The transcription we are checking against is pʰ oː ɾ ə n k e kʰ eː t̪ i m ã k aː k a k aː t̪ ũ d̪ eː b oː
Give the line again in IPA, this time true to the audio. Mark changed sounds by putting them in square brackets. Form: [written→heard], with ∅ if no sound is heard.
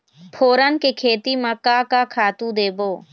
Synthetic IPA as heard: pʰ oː ɾ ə n k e kʰ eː t̪ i m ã k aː k a [k→kʰ] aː t̪ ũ d̪ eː b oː